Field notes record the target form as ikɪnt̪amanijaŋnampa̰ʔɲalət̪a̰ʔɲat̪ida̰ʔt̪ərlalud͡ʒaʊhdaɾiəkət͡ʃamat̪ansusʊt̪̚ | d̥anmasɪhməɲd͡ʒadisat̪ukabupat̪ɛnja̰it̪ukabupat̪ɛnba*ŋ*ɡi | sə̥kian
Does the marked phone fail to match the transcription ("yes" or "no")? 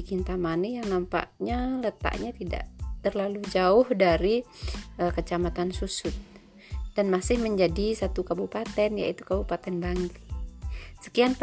no